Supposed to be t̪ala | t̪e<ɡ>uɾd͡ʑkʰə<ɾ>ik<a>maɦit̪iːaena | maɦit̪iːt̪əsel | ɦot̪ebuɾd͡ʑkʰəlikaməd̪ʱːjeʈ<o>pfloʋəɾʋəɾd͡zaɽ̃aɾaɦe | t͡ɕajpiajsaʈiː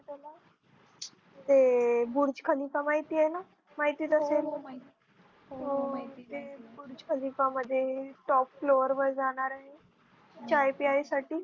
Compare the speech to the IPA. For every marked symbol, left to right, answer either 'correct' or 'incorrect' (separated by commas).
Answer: incorrect, incorrect, correct, incorrect